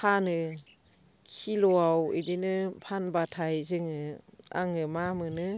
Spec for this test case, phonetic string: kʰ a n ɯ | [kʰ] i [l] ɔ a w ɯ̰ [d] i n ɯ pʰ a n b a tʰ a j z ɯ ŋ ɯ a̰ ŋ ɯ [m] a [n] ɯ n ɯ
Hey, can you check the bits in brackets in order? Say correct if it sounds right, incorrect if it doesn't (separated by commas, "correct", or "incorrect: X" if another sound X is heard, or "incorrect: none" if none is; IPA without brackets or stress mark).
correct, correct, correct, correct, incorrect: m